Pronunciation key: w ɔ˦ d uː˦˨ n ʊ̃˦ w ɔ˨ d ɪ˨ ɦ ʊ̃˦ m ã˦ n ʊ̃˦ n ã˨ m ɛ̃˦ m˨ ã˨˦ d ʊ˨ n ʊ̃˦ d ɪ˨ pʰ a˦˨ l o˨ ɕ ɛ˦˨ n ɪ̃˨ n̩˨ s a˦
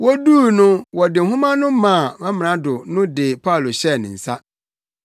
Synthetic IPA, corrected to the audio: w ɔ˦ d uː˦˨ n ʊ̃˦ w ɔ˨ d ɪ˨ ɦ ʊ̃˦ m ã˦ n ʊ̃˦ m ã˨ m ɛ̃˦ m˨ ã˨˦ d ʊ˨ n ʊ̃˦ d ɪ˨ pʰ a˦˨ l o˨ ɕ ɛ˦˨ n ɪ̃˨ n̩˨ s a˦